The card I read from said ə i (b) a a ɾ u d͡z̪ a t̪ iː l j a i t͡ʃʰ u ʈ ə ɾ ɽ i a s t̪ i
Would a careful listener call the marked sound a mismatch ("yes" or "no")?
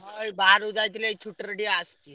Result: no